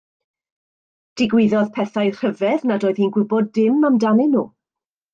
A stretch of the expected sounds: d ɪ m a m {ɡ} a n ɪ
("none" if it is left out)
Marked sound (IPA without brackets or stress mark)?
d